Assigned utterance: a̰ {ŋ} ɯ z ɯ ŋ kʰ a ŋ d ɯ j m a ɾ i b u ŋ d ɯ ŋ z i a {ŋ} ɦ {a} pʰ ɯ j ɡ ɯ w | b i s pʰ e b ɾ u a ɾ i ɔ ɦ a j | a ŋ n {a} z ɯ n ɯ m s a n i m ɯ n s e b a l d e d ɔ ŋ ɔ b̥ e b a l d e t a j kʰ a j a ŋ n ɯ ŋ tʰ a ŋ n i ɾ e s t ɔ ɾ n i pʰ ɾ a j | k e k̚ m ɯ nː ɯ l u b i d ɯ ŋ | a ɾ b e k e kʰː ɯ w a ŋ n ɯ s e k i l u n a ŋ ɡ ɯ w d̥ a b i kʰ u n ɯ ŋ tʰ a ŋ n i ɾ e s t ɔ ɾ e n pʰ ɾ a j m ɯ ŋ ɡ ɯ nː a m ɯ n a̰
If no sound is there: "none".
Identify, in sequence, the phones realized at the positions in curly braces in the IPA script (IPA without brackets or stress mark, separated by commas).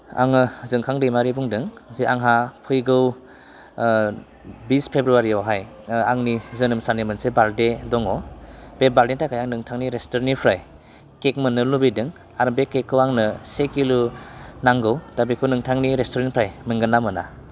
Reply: ŋ, ŋ, a, i